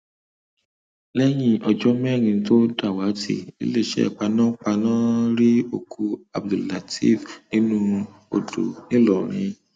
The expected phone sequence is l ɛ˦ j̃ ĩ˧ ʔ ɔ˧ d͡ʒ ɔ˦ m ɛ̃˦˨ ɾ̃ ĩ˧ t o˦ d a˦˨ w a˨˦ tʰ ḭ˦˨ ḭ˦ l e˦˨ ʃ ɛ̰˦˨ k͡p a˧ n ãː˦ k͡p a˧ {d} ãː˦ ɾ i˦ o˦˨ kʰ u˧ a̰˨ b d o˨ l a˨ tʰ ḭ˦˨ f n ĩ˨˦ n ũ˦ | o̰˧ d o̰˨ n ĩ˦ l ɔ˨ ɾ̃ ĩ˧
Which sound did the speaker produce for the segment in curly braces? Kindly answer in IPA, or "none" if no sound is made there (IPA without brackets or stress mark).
n